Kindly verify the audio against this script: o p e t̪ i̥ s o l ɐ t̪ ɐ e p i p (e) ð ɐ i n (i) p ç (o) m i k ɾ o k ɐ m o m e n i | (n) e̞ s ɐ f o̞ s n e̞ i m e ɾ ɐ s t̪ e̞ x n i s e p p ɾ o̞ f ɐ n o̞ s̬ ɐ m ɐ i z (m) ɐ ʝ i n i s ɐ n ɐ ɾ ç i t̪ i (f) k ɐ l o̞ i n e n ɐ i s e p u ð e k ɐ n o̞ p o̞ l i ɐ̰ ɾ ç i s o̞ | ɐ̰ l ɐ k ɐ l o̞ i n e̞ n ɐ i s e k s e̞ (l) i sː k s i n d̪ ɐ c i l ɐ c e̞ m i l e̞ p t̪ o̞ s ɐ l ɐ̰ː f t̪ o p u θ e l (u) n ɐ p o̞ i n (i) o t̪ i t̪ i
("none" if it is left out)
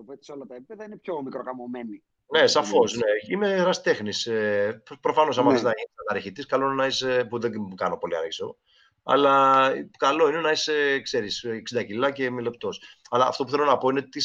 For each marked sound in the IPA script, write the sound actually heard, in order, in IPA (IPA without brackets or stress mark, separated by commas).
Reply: e, e, o, n, n, s, ɾ, o, e